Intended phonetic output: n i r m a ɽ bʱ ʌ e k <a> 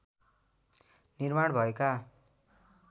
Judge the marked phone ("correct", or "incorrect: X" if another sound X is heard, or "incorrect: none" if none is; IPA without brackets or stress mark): correct